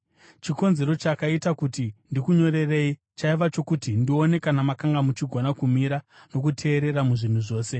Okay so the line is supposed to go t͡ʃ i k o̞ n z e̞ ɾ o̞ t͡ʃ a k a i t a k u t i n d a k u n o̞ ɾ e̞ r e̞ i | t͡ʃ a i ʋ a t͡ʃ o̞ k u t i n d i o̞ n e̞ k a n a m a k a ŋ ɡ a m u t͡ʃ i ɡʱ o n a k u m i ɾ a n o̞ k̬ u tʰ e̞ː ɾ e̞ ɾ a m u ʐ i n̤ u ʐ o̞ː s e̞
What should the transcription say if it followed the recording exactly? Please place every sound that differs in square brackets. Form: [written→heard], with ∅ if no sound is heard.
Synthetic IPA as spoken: t͡ʃ i k o̞ n z e̞ ɾ o̞ t͡ʃ a k a i t a k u t i n d [a→i] k u [n→ɲ] o̞ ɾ e̞ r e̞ i | t͡ʃ a i ʋ a t͡ʃ o̞ k u t i n d i o̞ n e̞ k a n a m a k a ŋ ɡ a m u t͡ʃ i ɡʱ o n a k u m i ɾ a n o̞ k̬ u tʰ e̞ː ɾ e̞ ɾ a m u ʐ i n̤ u ʐ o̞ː s e̞